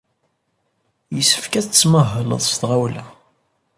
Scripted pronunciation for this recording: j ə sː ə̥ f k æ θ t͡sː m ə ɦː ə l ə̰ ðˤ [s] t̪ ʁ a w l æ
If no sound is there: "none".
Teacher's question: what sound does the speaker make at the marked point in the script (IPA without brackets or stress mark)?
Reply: s